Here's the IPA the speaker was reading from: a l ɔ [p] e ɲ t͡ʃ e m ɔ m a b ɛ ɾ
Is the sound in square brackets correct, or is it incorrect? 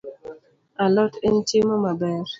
incorrect: t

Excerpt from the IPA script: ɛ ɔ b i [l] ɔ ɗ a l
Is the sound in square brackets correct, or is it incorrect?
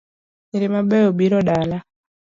incorrect: ɾ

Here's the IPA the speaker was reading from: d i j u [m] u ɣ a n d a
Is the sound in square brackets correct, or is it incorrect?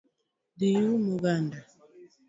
correct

